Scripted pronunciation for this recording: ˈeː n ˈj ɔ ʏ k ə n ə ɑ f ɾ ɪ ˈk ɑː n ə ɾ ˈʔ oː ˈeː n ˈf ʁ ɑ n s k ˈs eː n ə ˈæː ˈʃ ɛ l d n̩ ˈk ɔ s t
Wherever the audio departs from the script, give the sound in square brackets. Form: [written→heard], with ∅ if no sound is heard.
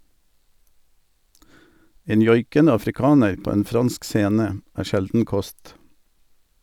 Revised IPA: ˈeː n ˈj ɔ ʏ k ə n ə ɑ f ɾ ɪ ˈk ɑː n ə ɾ [ˈʔ→ˈp] oː ˈeː n ˈf ʁ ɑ n s k ˈs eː n ə ˈæː ˈʃ ɛ l d n̩ ˈk ɔ s t